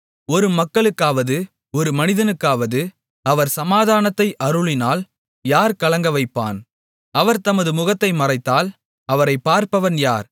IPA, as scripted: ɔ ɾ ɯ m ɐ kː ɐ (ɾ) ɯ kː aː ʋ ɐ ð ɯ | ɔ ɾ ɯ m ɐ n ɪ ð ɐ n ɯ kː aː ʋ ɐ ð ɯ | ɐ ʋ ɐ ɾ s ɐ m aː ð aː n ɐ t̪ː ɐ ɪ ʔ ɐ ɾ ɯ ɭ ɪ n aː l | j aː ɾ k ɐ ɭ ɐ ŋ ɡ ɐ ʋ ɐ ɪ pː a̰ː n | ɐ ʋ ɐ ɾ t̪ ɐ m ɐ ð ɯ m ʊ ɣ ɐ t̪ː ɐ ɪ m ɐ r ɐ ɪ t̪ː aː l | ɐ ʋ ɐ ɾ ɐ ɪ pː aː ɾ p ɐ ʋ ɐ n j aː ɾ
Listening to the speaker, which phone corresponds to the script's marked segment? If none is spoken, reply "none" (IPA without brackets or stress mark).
ɭ